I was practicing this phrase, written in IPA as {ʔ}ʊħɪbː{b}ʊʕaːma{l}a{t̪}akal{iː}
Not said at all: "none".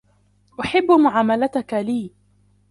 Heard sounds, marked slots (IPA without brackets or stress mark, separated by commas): ʔ, m, l, t̪, iː